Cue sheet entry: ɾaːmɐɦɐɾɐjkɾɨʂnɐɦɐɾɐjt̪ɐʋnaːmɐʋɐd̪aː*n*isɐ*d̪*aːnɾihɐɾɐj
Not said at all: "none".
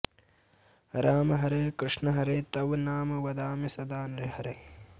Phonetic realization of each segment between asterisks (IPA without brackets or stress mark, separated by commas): m, d̪